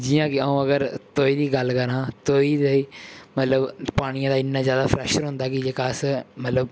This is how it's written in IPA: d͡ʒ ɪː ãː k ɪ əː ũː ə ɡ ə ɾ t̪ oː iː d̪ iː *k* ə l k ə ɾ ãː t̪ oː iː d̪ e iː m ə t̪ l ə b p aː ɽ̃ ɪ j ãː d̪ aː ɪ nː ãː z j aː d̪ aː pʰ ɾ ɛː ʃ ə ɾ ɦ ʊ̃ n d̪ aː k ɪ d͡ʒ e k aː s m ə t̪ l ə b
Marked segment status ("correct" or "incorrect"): incorrect